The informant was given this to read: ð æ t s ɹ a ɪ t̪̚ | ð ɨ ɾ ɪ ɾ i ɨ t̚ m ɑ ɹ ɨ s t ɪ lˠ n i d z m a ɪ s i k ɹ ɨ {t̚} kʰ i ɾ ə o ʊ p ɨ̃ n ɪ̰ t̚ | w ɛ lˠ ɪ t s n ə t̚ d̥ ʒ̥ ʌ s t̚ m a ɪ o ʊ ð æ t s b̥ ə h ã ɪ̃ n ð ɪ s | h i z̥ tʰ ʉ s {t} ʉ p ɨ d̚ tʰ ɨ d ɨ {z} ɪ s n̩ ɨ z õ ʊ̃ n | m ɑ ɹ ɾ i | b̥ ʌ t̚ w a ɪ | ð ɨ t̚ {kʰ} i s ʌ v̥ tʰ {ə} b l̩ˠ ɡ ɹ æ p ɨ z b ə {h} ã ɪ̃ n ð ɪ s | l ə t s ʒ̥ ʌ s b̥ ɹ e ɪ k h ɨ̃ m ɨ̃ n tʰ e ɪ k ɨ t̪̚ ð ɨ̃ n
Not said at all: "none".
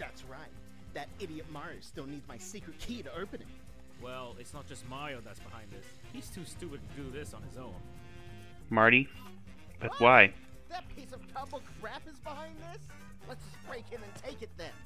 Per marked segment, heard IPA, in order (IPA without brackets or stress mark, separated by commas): t̚, t, ð, pʰ, ʌ, h